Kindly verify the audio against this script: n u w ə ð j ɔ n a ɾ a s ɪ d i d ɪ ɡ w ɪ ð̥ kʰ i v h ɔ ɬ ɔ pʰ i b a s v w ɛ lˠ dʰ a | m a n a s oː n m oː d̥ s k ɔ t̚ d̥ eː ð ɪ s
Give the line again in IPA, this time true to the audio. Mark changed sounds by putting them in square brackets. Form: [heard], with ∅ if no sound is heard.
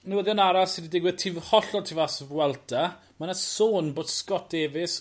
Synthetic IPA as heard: n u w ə ð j ɔ n a ɾ a s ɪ d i d ɪ ɡ w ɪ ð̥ [tʰ] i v h ɔ ɬ ɔ [tʰ] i [v] a s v w ɛ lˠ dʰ a | m a n a s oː n [b] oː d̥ s k ɔ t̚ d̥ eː [v] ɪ s